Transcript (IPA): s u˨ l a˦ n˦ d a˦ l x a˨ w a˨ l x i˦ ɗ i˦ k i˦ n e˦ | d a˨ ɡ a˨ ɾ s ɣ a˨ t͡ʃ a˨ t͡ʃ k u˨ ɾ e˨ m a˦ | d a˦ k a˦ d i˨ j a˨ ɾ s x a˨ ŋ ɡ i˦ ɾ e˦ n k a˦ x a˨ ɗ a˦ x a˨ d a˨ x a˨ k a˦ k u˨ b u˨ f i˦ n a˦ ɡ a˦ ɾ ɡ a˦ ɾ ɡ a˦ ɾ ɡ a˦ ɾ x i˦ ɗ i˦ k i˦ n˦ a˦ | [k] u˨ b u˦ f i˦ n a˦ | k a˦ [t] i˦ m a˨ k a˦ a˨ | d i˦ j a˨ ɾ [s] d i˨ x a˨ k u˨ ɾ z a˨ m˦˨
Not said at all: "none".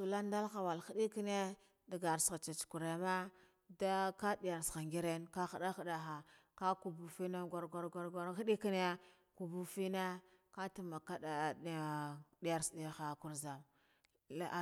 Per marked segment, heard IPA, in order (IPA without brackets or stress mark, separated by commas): k, t, s